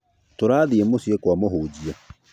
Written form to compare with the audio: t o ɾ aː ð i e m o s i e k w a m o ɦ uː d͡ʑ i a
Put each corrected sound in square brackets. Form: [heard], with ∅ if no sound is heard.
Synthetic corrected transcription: t o ɾ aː ð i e m o s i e k w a m o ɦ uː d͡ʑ i a